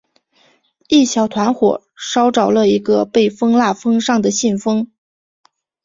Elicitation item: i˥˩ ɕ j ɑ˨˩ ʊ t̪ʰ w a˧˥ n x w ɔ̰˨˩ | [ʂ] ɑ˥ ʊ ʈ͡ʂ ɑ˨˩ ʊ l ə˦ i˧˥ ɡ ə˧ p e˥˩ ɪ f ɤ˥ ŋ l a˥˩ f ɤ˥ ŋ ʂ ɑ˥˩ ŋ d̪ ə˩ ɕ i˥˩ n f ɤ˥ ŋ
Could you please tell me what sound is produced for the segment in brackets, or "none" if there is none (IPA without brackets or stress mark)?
ʂ